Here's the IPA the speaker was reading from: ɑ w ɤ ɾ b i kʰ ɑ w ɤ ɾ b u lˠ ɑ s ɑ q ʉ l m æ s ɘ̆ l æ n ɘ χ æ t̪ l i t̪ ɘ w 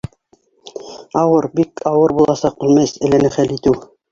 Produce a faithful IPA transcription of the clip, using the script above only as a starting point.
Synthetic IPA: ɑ w ɤ ɾ b i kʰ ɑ w ɤ ɾ b u lˠ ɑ s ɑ q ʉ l m æ s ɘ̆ l æ n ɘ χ æ l i t̪ ɘ w